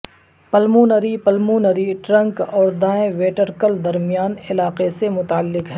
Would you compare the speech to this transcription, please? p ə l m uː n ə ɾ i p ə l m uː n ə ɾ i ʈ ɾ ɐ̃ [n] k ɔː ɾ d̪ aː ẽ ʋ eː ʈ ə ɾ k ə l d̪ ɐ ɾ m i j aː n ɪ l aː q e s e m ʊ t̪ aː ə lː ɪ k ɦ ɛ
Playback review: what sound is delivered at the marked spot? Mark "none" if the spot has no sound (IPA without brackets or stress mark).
ŋ